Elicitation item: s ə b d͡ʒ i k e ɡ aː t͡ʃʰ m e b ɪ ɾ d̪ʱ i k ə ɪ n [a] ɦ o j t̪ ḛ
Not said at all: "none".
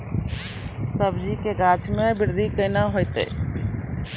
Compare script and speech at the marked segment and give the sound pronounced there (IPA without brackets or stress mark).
a